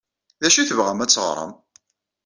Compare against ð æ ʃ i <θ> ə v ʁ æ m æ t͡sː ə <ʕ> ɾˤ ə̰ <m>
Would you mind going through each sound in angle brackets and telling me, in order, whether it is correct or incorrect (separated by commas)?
correct, incorrect, correct